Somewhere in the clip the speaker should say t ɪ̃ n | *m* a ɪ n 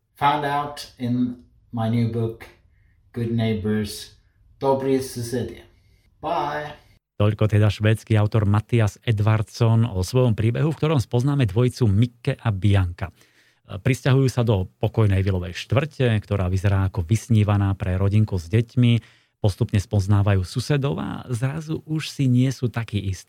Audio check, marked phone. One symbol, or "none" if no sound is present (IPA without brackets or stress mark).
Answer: m